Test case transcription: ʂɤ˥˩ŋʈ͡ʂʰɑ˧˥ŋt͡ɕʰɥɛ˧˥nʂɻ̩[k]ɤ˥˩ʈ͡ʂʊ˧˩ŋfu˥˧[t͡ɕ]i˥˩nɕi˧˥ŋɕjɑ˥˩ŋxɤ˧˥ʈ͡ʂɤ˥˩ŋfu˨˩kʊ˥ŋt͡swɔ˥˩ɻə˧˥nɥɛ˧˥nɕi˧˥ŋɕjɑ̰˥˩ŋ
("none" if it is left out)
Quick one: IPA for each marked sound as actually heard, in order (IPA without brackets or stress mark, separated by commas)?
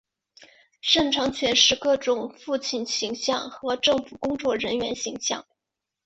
k, t͡ɕʰ